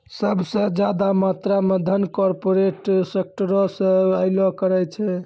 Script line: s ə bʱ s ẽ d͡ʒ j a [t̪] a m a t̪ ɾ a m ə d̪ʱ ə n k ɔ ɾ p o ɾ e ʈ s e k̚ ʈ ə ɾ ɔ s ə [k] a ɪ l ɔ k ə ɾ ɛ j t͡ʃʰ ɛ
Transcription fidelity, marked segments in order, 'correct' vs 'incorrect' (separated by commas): incorrect, incorrect